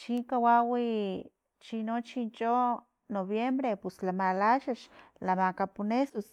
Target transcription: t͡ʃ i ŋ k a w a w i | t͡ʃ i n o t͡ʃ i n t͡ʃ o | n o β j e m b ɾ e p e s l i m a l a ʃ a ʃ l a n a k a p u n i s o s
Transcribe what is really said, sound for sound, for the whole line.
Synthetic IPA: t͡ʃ i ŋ k a w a w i | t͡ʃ i n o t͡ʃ i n t͡ʃ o | n o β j e m b ɾ e p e s l a m a l a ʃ a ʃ l a m a k a p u n e s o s